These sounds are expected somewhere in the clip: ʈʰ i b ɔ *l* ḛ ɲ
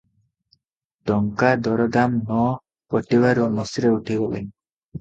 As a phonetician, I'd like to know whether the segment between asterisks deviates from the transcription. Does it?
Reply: no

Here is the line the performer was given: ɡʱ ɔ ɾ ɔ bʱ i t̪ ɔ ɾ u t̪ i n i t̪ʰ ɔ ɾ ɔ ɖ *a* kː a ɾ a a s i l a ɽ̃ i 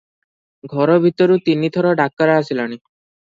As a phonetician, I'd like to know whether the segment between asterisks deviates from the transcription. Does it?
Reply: no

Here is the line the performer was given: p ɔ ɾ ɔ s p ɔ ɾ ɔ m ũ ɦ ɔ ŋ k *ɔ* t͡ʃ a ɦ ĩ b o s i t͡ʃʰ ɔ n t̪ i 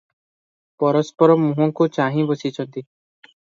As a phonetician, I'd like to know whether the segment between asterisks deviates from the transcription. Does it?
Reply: yes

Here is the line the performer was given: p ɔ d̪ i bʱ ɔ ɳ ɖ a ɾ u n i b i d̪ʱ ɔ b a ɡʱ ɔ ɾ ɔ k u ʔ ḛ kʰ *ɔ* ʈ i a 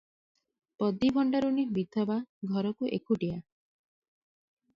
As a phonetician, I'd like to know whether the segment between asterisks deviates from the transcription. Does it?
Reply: yes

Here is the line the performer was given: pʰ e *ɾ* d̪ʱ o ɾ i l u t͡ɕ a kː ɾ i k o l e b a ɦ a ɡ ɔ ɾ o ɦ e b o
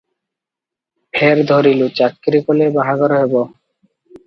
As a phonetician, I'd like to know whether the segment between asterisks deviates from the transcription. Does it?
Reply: no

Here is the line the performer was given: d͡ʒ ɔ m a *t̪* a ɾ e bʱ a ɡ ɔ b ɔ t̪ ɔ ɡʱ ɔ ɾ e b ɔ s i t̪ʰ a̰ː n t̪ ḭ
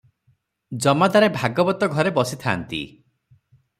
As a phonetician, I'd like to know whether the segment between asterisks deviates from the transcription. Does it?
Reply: yes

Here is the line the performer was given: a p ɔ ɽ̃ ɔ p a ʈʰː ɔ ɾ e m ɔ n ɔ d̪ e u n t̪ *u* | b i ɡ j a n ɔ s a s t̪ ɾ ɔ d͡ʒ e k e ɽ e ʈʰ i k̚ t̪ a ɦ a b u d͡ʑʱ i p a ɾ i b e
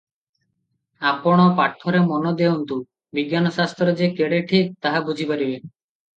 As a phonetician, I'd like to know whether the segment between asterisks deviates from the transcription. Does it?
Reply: no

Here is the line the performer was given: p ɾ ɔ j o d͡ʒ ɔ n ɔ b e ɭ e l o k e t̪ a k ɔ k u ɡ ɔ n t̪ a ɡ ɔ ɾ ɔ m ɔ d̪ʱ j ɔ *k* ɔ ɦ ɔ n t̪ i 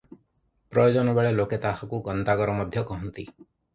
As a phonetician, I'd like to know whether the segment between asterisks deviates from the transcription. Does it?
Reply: no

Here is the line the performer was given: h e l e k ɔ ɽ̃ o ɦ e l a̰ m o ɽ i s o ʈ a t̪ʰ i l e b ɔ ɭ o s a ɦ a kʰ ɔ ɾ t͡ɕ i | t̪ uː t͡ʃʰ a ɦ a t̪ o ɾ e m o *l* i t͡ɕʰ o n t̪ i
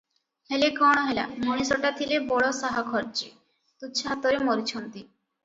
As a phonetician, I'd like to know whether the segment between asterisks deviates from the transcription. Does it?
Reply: yes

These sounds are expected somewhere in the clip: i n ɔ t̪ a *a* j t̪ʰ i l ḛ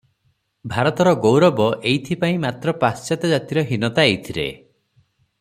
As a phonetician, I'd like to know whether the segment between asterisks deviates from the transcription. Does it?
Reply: yes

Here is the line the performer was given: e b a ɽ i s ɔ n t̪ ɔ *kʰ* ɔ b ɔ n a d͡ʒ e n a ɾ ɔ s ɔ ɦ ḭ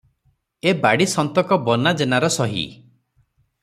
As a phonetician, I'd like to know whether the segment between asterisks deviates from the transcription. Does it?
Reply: yes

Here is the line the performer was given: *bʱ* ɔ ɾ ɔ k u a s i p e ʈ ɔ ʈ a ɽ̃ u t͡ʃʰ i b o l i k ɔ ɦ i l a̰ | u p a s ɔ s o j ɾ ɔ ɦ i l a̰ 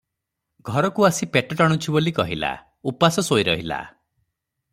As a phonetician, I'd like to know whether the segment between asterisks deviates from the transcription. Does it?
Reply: yes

